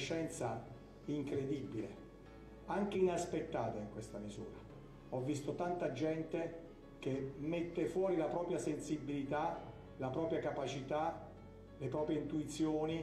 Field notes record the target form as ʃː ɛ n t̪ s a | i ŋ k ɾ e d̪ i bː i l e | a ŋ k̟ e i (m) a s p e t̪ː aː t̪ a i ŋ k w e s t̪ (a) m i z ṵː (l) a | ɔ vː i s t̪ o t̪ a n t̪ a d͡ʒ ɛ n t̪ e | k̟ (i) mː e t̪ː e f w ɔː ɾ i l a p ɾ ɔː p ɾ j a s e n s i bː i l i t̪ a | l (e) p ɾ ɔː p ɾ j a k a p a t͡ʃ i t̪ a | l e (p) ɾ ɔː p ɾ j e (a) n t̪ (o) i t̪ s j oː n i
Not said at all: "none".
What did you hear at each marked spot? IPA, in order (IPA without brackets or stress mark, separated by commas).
n, a, ɾ, e, a, p, i, u